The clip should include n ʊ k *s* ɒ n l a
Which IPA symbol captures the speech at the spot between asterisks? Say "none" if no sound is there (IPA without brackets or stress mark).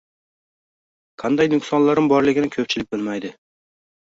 s